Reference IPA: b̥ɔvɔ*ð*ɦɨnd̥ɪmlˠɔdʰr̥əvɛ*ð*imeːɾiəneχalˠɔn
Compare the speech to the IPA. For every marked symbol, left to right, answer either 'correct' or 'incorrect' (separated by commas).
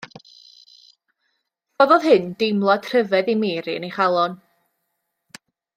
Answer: correct, correct